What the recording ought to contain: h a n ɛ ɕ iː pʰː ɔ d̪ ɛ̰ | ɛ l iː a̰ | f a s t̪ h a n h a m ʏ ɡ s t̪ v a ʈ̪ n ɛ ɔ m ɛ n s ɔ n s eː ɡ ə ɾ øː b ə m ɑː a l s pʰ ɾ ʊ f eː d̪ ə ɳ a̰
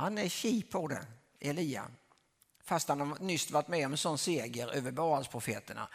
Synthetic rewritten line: h a n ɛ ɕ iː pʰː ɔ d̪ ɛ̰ | ɛ l iː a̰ | f a s t̪ h a n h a n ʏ s t̪ v a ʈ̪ m ɛ ɔ m ɛ n s ɔ n s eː ɡ ə ɾ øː v ə b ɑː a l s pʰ ɾ ʊ f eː t̪ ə ɳ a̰